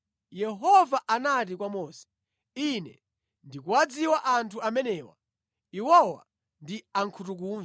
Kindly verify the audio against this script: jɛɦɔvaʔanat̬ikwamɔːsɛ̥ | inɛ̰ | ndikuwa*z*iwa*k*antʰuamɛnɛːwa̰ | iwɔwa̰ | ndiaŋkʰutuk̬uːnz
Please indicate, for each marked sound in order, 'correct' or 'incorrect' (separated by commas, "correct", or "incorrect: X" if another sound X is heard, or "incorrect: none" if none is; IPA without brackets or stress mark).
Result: incorrect: d͡z, incorrect: ʔ